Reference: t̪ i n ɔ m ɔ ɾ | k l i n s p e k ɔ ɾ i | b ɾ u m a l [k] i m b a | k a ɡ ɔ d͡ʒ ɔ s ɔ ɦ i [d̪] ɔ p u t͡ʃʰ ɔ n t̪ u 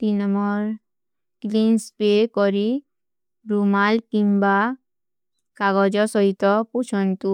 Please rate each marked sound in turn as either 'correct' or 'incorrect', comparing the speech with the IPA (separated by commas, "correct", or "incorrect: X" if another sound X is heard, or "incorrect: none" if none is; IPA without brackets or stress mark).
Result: correct, incorrect: t̪